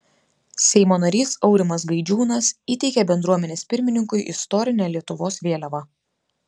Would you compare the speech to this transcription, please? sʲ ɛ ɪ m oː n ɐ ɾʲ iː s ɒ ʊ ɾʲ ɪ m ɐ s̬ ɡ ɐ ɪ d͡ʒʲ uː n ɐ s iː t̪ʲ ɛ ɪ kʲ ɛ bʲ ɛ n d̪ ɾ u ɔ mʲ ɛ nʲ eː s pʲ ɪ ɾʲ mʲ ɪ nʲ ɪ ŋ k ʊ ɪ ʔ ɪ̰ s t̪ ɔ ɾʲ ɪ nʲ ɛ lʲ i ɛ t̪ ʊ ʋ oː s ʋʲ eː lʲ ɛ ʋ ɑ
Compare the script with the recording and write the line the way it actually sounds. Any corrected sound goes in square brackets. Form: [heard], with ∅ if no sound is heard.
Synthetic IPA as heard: sʲ ɛ ɪ m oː n ɐ ɾʲ iː s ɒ ʊ ɾʲ ɪ m ɐ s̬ ɡ ɐ ɪ d͡ʒʲ uː n ɐ s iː t̪ʲ ɛ ɪ kʲ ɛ bʲ ɛ n d̪ ɾ u ɔ mʲ ɛ nʲ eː s pʲ ɪ ɾʲ mʲ ɪ nʲ ɪ ŋ k ʊ ɪ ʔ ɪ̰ s t̪ ɔ ɾʲ ɪ nʲ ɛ lʲ i ɛ t̪ ʊ ʋ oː s ʋʲ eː lʲ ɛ ʋ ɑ